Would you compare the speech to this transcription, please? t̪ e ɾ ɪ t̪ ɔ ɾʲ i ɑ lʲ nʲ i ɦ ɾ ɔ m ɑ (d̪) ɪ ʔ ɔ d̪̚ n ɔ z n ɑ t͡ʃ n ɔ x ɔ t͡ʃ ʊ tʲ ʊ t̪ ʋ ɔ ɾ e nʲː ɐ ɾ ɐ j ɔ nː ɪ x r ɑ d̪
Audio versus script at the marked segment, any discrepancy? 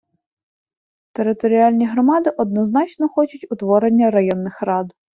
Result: no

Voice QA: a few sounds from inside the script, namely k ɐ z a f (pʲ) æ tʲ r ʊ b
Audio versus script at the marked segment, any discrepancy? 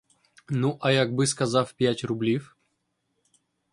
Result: no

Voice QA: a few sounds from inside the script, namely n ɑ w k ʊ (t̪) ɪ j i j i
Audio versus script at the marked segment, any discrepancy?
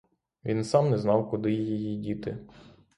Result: yes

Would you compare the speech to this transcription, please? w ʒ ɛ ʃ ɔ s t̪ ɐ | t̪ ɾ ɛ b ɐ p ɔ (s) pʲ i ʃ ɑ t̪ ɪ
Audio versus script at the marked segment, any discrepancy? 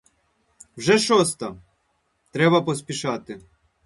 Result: no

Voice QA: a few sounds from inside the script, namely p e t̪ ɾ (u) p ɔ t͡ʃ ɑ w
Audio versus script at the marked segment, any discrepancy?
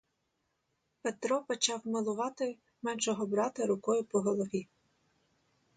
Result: yes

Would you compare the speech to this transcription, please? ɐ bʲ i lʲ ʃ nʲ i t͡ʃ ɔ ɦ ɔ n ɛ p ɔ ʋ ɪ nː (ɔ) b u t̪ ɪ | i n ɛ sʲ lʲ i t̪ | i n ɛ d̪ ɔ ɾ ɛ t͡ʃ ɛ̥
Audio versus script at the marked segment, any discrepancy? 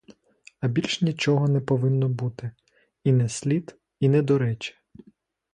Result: no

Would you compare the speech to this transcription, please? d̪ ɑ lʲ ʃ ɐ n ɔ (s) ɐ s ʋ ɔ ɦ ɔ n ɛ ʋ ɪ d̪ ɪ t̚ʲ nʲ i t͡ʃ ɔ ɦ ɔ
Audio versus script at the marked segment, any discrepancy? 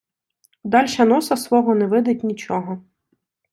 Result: no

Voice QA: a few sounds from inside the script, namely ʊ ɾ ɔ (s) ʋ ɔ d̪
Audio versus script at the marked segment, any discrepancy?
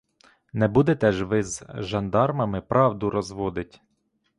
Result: yes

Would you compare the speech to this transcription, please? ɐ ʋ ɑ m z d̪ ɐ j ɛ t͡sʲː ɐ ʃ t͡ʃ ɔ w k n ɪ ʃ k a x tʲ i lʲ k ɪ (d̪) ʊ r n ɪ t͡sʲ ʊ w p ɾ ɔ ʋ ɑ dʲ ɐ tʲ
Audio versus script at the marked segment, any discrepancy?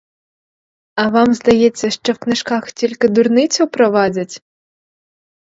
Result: no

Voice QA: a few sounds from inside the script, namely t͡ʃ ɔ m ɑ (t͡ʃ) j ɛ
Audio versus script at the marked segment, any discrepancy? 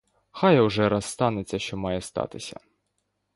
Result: yes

